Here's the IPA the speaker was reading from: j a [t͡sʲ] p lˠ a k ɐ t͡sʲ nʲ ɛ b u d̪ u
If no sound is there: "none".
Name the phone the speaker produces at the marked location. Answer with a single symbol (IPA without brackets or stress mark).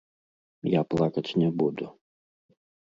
none